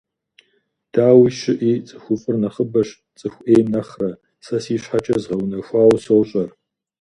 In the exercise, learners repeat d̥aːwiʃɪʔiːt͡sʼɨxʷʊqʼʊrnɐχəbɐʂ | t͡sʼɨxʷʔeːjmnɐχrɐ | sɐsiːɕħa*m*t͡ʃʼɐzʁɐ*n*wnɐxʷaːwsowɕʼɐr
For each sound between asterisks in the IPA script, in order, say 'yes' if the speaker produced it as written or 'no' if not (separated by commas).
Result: no, no